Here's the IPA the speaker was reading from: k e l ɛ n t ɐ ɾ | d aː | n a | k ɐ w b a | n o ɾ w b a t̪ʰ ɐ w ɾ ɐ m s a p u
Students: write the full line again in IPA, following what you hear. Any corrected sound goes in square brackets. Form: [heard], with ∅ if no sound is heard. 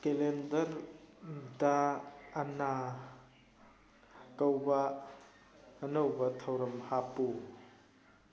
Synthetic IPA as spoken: k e l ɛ n [d] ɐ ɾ | d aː | n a | k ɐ w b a | n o [∅] w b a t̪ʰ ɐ w ɾ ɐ m [h] a p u